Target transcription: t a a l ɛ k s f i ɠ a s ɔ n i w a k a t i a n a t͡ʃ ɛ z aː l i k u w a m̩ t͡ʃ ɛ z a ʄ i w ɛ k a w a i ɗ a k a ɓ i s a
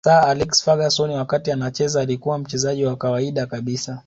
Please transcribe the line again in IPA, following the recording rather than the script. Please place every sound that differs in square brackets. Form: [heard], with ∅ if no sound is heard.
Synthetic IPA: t a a l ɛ k s f [a] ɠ a s ɔ n i w a k a t i a n a t͡ʃ ɛ z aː l i k u w a m̩ t͡ʃ ɛ z a ʄ i w [a] k a w a i ɗ a k a ɓ i s a